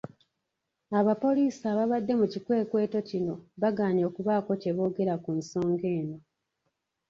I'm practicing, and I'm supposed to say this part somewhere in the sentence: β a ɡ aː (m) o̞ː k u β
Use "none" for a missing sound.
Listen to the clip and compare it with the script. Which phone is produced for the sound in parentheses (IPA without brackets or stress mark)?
ɲ